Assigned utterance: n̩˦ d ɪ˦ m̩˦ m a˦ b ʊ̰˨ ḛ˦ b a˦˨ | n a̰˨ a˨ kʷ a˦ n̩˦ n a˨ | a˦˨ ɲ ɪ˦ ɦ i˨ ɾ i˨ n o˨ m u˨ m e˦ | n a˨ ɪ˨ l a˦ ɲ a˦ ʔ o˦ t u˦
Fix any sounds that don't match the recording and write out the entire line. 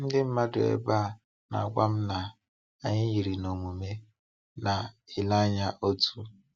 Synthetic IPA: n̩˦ d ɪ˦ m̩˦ m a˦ d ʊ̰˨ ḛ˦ b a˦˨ | n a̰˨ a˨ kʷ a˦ m̩˦ n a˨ | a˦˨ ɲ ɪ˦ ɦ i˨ ɾ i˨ n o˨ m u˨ m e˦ | n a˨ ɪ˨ l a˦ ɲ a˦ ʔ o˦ t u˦